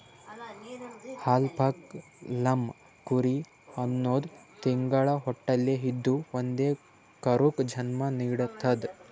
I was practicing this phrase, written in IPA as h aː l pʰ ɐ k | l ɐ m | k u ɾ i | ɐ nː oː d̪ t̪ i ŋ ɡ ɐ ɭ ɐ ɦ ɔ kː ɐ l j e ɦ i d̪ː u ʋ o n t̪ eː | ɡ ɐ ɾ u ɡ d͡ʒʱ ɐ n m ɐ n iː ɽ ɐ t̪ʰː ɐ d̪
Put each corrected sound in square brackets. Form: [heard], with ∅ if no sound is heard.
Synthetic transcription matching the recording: h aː l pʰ ɐ k | l ɐ m | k u ɾ i | ɐ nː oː d̪ t̪ i ŋ ɡ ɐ ɭ ɐ ɦ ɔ [ʈː] ɐ l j e ɦ i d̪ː u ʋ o n [d̪] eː | [k] ɐ ɾ u [k] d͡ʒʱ ɐ n m ɐ n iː ɽ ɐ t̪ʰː ɐ d̪